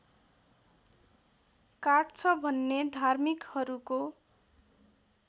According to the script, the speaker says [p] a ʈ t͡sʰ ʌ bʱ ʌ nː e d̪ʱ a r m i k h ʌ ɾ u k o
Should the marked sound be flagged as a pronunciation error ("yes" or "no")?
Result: yes